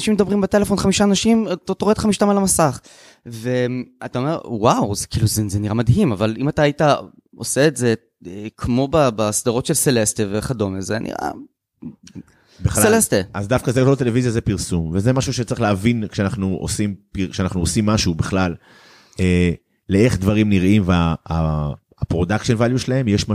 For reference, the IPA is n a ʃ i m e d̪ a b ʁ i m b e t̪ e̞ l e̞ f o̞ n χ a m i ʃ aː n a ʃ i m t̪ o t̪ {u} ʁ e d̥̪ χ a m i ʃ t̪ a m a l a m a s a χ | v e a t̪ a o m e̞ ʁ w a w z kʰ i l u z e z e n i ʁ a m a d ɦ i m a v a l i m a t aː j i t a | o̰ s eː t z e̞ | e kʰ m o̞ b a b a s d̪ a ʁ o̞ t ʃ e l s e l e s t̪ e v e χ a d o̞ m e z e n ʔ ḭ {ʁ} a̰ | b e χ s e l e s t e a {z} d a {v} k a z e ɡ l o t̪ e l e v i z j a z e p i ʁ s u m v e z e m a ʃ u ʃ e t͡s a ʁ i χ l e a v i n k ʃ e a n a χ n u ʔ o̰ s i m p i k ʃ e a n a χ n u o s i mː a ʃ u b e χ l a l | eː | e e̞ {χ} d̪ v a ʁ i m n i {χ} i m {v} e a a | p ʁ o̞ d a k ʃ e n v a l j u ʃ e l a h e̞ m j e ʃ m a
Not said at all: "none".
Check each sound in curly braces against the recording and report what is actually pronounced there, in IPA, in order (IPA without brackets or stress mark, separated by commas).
o, ʁ, z, f, χ, ʁ, v